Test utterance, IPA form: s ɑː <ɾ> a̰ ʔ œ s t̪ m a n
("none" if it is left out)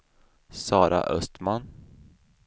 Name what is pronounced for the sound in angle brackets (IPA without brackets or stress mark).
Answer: ɾ